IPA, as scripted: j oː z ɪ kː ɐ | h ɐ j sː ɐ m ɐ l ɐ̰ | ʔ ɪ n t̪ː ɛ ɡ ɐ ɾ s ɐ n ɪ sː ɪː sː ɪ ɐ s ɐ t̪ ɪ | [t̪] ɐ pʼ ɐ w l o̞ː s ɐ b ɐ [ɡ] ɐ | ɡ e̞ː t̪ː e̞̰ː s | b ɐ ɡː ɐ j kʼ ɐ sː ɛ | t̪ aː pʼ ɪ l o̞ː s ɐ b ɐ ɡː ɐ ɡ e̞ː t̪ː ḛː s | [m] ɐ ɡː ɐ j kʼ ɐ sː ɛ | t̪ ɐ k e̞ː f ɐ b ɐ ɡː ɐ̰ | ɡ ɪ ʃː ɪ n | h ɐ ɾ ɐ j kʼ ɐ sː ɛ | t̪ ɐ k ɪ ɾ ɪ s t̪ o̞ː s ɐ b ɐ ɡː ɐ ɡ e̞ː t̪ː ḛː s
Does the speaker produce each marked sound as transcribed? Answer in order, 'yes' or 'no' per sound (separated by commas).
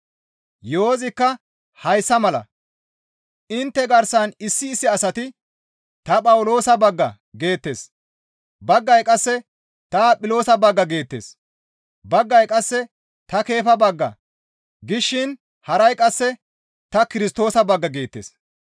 yes, no, no